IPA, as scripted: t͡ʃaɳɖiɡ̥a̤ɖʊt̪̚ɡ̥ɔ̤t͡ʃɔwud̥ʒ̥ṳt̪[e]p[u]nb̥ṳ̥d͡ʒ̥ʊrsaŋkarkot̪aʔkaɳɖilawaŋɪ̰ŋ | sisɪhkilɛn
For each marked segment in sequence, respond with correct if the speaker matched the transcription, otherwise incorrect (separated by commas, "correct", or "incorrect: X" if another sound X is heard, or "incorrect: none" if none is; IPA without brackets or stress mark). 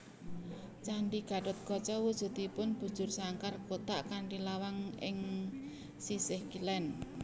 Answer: incorrect: i, incorrect: ʊ